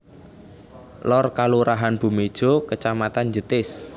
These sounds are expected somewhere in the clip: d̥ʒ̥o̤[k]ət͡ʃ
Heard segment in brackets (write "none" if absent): k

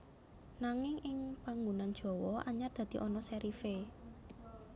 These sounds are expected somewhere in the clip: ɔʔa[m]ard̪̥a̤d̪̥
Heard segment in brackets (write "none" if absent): ɲ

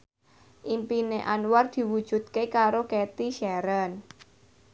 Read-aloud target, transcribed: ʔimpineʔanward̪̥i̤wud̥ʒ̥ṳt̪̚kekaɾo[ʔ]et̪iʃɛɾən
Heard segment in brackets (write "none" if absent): k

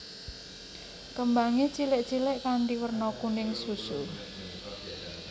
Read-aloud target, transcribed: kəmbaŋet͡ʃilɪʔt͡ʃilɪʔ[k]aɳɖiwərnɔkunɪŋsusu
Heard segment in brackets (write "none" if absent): k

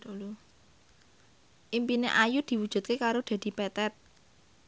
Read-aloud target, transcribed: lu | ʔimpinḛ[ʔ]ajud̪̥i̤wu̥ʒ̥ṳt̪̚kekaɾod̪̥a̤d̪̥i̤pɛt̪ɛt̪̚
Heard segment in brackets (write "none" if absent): ʔ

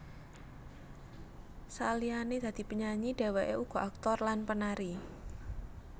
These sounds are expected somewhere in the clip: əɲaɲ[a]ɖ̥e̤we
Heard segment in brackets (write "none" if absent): i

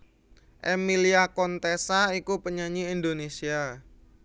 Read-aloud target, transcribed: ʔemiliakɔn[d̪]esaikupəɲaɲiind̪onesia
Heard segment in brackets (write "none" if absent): t̪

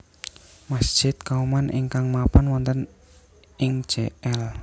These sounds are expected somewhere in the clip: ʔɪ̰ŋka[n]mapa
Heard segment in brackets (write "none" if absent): ŋ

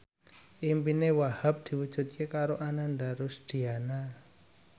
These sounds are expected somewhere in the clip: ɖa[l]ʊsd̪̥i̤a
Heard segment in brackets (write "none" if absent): ɾ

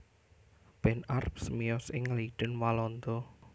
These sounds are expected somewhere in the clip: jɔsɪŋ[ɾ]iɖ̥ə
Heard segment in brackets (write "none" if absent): l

